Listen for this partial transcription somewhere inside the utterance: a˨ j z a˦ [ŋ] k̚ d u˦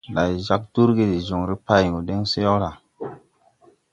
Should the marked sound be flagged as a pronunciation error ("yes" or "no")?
yes